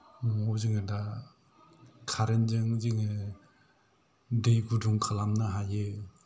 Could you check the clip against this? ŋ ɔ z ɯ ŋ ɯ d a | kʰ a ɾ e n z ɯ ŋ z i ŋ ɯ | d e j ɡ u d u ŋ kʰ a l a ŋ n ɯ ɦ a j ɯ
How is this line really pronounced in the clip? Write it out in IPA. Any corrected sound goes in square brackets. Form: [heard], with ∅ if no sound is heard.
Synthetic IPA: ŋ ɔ z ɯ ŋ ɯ d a | kʰ a ɾ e n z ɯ ŋ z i ŋ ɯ | d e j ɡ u d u ŋ kʰ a l a [m] n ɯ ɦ a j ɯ